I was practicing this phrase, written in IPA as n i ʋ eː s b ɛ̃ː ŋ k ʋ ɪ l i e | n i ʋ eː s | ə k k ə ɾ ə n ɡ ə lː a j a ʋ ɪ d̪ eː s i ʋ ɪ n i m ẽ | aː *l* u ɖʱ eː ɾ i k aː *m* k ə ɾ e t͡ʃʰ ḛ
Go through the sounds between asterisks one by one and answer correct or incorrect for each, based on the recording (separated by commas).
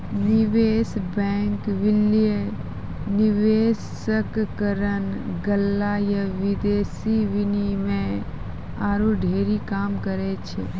incorrect, correct